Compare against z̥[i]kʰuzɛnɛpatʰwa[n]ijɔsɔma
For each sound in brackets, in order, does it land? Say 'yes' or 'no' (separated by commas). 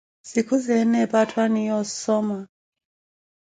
yes, yes